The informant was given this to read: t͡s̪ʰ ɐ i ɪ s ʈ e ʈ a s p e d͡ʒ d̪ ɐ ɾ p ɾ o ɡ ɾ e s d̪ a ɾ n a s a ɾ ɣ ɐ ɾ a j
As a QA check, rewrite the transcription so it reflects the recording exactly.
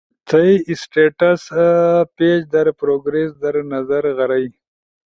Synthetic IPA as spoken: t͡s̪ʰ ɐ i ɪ s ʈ e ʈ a s p e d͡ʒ d̪ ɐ ɾ p ɾ o ɡ ɾ e s d̪ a ɾ n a z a ɾ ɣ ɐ ɾ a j